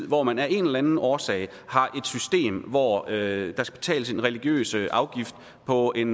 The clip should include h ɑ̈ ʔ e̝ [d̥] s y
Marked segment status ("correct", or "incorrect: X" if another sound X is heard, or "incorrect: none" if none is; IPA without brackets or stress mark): correct